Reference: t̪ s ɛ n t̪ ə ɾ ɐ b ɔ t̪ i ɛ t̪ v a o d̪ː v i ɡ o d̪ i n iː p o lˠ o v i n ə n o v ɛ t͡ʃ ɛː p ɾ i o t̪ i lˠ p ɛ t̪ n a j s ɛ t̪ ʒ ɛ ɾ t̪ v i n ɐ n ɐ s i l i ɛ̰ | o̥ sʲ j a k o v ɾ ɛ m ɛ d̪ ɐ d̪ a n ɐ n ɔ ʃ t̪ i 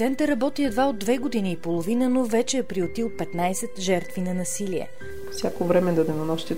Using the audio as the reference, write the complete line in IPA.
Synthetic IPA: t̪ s ɛ n t̪ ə ɾ ɐ b ɔ t̪ i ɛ d̪ v a o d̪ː v ɛ ɡ o d̪ i n iː p o lˠ o v i n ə n o v ɛ t͡ʃ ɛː p ɾ i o t̪ i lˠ p ɛ t̪ n a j s ɛ t̪ ʒ ɛ ɾ t̪ v i n ɐ n ɐ s i l i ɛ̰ | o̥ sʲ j a k o v ɾ ɛ m ɛ d̪ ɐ d̪ ɛ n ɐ n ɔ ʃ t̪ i